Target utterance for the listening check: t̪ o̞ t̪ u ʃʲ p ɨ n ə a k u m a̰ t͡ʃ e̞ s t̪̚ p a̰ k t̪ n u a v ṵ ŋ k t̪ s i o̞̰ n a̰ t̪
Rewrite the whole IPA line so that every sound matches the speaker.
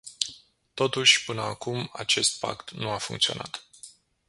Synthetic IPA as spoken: t̪ o̞ t̪ u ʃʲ p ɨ n ə a k u m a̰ t͡ʃ e̞ s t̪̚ p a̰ k t̪ n u a f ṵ ŋ k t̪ s i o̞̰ n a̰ t̪